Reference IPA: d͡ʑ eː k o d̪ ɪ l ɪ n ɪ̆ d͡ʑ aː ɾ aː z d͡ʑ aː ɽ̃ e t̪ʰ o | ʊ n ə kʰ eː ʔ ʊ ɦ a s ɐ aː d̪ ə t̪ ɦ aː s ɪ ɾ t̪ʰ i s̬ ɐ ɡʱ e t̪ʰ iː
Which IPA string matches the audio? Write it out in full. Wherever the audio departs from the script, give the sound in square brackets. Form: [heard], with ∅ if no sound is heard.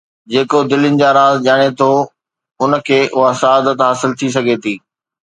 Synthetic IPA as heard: d͡ʑ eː k o d̪ ɪ l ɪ n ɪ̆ d͡ʑ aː ɾ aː z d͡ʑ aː ɽ̃ e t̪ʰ o | ʊ n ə kʰ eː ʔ ʊ ɦ a s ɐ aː d̪ ə t̪ ɦ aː s ɪ [l] t̪ʰ i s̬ ɐ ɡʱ e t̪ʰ iː